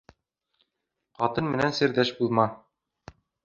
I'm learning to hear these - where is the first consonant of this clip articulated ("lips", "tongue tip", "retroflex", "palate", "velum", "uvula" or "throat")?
uvula